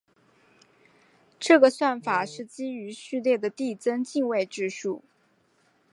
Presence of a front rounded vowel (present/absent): present